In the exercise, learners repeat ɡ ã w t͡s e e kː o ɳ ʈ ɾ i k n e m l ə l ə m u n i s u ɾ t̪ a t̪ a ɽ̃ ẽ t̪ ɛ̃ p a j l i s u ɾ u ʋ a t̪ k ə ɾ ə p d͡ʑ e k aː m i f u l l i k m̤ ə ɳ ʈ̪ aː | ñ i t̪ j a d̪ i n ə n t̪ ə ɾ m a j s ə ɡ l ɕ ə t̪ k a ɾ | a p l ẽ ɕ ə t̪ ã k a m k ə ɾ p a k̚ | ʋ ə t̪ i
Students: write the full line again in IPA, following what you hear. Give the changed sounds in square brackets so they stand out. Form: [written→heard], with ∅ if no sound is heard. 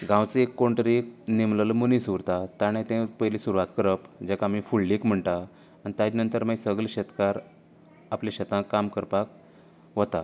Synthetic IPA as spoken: ɡ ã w t͡s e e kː o ɳ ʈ ɾ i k n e m l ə l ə m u n i s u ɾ t̪ a t̪ a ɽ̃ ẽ t̪ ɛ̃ p [a→ə] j l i s u ɾ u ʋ a t̪ k ə ɾ ə p d͡ʑ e k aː m i f u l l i k m̤ ə ɳ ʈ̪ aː | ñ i t̪ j a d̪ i n ə n t̪ ə ɾ m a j s ə ɡ l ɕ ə t̪ k a ɾ | a p l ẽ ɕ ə t̪ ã k a m k ə ɾ p a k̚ | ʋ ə t̪ [i→a]